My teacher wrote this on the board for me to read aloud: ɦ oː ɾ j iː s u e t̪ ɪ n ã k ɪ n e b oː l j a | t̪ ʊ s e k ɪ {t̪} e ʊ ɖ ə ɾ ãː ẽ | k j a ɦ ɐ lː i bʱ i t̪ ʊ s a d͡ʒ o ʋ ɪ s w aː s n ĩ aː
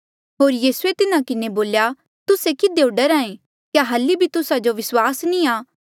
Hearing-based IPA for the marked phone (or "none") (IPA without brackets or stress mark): d̪